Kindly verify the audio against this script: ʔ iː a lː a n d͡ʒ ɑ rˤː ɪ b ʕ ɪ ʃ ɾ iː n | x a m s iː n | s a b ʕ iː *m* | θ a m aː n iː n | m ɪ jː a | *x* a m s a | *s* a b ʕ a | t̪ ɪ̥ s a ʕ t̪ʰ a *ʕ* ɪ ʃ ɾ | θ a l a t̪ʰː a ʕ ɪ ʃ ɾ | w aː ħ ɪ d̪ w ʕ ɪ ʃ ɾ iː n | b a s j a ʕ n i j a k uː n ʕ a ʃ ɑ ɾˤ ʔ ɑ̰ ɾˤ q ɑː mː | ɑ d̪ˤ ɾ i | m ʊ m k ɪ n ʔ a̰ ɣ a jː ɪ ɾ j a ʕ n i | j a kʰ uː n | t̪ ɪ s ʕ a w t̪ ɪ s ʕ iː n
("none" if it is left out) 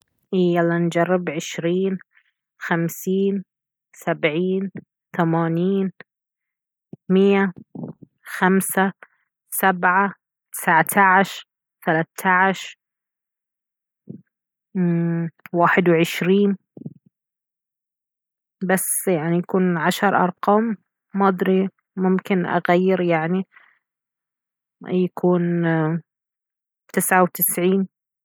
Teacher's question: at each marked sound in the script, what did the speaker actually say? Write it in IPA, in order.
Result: n, x, s, ʕ

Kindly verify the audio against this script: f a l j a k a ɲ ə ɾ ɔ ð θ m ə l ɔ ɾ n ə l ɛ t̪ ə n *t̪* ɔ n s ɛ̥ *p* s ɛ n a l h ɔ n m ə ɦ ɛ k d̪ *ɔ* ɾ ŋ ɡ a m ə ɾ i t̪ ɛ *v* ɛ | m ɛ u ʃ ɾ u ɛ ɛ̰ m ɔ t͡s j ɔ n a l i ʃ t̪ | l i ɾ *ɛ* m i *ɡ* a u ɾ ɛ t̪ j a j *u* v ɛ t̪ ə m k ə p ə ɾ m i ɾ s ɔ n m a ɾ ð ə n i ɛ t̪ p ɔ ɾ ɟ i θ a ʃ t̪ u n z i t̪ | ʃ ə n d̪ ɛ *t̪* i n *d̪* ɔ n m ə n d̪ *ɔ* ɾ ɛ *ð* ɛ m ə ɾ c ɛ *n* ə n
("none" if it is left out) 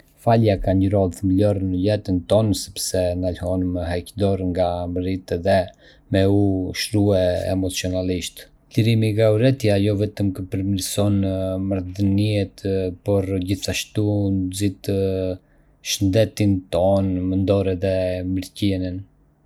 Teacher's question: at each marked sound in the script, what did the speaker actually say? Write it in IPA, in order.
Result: t̪, p, ɔ, ð, i, ɡ, ɔ, t̪, t̪, ɔ, ð, n

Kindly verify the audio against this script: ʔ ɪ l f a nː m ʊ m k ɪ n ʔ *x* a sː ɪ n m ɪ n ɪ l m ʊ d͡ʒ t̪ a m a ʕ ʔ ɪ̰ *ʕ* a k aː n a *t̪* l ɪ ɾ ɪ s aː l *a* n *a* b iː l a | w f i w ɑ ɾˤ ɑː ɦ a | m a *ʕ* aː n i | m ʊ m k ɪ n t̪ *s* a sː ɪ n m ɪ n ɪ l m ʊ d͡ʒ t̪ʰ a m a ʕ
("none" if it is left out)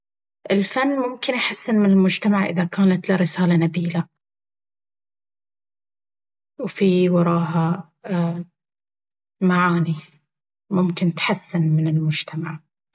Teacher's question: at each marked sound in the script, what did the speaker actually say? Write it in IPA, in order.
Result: ħ, ð, t̪, a, a, ʕ, ħ

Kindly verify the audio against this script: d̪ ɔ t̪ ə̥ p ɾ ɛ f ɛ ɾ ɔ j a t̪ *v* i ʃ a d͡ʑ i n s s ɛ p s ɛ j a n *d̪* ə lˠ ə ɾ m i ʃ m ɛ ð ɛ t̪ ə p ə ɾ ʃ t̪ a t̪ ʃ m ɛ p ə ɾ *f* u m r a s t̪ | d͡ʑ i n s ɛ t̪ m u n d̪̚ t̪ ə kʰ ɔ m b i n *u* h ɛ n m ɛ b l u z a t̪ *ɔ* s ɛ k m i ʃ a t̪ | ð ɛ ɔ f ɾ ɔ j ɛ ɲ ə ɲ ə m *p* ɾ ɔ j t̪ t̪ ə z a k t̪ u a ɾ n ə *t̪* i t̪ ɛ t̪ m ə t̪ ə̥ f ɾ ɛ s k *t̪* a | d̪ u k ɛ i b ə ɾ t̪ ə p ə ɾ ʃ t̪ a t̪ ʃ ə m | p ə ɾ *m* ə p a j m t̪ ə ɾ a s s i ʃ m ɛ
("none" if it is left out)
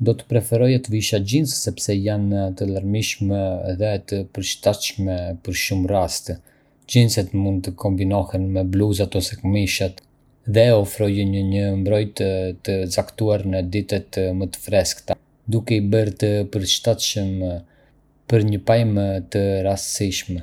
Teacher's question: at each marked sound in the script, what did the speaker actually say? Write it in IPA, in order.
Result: v, t̪, ʃ, ɔ, ɔ, b, d̪, t̪, ɲ

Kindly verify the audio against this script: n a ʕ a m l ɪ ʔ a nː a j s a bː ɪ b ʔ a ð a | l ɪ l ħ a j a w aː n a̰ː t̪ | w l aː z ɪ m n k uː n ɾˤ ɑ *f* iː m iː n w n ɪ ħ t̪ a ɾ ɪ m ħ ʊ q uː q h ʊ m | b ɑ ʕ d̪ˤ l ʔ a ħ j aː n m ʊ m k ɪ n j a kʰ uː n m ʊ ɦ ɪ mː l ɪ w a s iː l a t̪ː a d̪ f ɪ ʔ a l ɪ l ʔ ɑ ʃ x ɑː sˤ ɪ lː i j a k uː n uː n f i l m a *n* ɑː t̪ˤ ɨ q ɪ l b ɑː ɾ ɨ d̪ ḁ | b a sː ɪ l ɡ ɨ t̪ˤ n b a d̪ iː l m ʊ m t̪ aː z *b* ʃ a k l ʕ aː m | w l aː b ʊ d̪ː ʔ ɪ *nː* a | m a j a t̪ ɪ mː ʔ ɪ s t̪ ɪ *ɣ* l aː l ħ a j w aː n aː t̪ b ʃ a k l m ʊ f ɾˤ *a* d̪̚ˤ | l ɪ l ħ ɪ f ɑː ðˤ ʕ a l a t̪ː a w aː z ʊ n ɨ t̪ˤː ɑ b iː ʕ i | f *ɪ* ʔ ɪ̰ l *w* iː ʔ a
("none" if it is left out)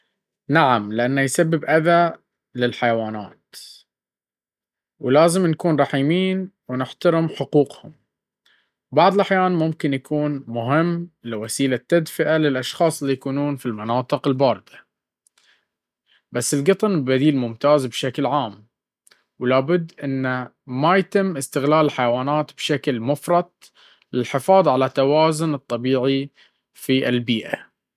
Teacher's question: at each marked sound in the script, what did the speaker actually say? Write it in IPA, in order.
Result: ħ, n, b, nː, ɣ, ɑ, i, b

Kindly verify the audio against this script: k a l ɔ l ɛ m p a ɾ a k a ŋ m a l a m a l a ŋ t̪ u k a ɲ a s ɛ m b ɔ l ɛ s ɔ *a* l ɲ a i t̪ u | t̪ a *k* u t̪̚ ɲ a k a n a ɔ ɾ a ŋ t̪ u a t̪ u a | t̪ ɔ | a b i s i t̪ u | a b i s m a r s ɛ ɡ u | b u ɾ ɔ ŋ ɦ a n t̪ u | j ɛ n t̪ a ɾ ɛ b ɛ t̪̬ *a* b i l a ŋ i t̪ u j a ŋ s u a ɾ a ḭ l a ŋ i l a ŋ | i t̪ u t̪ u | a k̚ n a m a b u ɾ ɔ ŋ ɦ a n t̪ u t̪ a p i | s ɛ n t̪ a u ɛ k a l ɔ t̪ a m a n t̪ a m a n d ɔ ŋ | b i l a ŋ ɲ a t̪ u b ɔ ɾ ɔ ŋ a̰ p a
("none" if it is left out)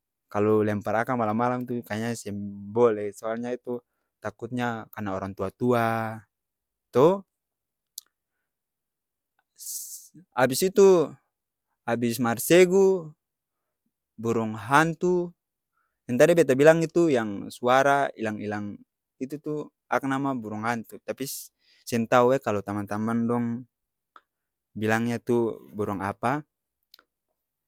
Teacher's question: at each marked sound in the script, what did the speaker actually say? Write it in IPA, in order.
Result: a, k, a

